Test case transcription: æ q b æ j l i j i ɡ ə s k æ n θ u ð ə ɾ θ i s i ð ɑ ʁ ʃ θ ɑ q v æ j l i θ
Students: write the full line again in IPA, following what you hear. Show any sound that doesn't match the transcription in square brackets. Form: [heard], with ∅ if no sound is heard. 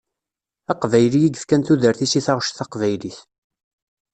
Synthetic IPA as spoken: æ q [v] æ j l i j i ɡ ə [f] k æ n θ u ð ə ɾ θ i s i [θ] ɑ ʁ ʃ θ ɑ q v æ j l i θ